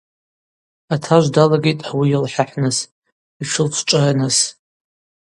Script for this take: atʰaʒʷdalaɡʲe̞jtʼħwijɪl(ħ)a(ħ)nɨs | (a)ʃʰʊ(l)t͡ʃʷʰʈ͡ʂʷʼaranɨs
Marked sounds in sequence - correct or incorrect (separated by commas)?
correct, correct, incorrect, correct